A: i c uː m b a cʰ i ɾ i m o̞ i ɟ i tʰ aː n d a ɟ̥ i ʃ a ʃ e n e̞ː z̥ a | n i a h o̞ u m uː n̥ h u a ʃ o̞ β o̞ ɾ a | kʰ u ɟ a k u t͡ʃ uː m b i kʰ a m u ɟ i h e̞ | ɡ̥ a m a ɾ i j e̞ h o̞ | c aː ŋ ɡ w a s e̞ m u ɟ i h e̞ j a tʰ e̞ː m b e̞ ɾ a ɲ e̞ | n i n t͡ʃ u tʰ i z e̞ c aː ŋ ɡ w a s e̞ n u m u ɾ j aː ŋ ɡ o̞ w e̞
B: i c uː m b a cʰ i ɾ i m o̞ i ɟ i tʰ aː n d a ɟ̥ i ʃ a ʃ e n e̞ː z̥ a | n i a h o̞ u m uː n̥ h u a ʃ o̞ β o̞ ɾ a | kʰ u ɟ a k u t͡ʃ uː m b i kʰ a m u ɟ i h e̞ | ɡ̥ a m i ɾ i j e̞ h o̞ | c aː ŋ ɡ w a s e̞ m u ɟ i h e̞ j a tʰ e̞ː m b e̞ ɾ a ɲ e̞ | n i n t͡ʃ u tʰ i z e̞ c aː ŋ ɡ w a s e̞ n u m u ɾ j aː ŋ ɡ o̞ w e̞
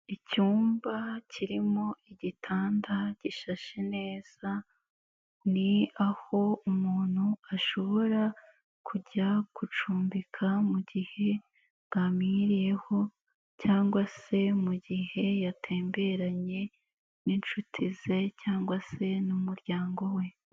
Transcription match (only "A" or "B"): B